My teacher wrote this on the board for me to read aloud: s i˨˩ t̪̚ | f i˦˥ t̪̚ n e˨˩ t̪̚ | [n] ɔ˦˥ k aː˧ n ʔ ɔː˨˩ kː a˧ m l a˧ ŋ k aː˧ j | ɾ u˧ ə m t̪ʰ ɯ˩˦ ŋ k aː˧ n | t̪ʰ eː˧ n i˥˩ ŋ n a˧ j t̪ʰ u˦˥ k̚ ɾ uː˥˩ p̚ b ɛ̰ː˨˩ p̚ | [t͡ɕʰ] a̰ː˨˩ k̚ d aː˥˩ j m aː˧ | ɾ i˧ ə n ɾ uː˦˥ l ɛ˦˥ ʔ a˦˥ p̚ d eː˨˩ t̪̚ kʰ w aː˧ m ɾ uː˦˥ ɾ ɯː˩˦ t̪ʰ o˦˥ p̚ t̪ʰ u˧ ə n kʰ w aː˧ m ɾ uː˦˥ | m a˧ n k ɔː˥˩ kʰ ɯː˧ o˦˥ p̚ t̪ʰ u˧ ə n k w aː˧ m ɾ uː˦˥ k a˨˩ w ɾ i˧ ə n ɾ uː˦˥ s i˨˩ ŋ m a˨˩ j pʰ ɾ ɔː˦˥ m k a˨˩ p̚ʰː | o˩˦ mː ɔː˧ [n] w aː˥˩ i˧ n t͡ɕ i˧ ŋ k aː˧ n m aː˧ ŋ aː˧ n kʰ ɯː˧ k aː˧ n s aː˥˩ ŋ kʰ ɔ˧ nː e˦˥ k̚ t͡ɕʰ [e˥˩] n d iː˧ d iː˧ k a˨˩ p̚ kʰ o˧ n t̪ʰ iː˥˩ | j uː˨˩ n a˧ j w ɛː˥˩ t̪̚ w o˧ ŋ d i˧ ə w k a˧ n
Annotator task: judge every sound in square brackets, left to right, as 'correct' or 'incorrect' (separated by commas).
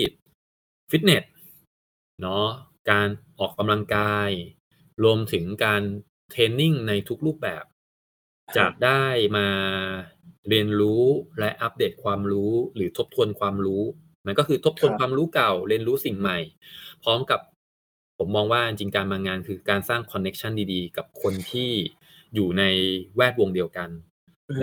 correct, incorrect, incorrect, incorrect